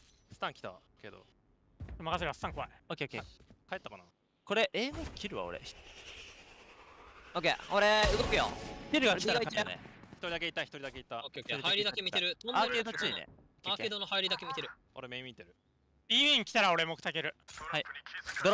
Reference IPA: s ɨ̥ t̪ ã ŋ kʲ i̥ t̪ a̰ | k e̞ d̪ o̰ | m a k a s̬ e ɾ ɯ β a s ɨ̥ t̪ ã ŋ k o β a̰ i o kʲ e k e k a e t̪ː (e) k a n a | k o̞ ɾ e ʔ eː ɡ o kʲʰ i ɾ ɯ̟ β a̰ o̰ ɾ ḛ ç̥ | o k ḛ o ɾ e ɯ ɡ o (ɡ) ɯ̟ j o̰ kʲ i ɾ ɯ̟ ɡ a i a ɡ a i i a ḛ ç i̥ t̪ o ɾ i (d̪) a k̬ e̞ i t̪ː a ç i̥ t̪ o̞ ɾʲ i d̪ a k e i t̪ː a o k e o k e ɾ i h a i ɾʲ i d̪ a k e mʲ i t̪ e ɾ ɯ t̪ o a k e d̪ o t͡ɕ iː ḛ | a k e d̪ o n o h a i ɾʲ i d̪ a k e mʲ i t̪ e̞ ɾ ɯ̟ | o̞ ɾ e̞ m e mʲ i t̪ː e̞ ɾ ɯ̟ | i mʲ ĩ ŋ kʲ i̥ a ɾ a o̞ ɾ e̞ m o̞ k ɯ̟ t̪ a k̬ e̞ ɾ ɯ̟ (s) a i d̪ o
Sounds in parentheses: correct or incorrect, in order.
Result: incorrect: a, incorrect: k, correct, incorrect: h

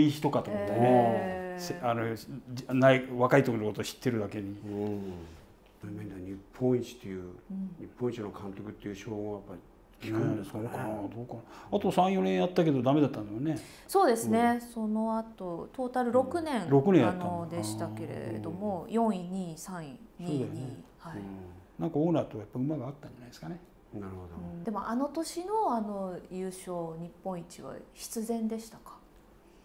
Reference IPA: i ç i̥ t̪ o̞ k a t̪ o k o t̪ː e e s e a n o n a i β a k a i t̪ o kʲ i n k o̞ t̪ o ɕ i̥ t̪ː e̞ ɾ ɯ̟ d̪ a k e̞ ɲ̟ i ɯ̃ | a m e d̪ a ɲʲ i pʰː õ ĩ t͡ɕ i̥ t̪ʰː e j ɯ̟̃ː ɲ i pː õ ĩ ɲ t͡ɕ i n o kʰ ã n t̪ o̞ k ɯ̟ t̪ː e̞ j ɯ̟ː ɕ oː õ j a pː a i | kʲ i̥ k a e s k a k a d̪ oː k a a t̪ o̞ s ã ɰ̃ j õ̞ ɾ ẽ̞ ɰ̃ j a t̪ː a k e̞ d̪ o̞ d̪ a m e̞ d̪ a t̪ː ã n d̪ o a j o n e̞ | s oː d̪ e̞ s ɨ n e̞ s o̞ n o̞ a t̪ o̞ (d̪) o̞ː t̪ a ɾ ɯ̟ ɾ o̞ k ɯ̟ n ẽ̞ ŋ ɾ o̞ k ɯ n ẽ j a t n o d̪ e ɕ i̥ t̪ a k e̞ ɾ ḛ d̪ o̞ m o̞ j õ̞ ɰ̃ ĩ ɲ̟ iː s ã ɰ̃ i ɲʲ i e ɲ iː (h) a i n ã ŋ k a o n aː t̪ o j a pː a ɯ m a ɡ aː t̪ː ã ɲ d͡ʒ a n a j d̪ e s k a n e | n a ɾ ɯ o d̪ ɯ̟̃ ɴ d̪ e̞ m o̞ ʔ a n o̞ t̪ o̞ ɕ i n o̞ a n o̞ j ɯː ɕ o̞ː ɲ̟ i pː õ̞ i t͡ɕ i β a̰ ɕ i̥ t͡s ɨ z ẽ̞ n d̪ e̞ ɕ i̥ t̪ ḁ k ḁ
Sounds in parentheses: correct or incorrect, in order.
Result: incorrect: t̪, correct

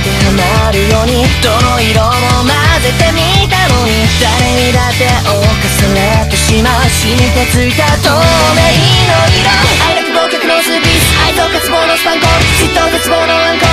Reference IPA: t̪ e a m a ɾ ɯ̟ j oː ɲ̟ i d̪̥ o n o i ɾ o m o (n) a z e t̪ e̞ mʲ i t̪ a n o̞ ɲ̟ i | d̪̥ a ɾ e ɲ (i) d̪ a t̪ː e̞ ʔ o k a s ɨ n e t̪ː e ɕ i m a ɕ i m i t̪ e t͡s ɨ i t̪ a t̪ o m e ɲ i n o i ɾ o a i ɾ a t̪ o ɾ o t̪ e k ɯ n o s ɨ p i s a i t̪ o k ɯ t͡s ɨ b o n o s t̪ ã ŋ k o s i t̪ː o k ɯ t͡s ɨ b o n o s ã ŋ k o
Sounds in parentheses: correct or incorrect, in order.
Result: incorrect: m, correct

